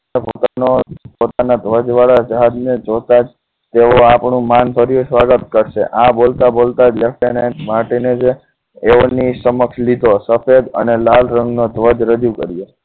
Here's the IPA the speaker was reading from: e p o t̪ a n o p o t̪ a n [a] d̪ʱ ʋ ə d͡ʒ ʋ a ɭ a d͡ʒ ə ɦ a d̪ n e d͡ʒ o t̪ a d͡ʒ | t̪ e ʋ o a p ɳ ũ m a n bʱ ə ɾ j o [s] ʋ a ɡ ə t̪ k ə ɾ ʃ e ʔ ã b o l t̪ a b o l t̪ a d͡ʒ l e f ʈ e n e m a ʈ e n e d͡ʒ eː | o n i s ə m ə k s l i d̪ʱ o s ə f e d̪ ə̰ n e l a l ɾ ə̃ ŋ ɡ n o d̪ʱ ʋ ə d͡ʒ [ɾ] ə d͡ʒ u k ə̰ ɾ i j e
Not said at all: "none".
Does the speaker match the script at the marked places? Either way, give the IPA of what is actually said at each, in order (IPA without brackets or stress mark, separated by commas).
a, s, ɾ